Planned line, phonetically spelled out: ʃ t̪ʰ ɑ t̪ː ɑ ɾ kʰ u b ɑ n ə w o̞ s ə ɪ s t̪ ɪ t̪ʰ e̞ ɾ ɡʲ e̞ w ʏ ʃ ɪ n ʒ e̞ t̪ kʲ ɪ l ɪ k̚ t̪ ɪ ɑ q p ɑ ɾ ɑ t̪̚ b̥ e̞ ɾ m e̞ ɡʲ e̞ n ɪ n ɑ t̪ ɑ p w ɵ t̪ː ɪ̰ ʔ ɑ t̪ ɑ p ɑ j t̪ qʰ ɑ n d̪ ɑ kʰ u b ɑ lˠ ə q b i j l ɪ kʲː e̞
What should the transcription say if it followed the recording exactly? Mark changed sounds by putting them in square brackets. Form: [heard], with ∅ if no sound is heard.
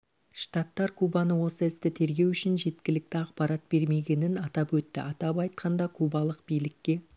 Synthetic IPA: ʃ [t̪] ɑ t̪ː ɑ ɾ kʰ u b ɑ n ə w o̞ s ə ɪ s t̪ ɪ t̪ʰ e̞ ɾ ɡʲ e̞ w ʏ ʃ ɪ n ʒ e̞ t̪ kʲ ɪ l ɪ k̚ t̪ ɪ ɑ q p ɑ ɾ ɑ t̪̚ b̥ e̞ ɾ m e̞ ɡʲ e̞ n ɪ n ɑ t̪ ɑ p w ɵ t̪ː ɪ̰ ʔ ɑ t̪ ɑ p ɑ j t̪ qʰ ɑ n d̪ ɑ kʰ u b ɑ lˠ ə q b i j l ɪ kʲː e̞